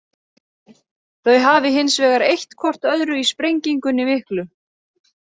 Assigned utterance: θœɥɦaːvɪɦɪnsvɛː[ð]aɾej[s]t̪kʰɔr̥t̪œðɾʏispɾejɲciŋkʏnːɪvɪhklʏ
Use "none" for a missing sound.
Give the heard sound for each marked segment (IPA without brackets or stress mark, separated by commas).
ɣ, h